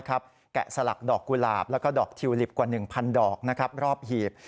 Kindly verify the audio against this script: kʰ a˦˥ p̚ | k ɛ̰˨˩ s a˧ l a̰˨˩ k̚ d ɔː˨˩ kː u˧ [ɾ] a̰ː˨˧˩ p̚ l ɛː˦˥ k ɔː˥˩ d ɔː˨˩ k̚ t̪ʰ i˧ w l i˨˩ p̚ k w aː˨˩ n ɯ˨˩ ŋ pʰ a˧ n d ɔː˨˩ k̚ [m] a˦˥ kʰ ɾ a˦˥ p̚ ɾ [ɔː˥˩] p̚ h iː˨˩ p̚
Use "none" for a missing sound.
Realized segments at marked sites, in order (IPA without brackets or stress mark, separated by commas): l, n, ɔː˥˩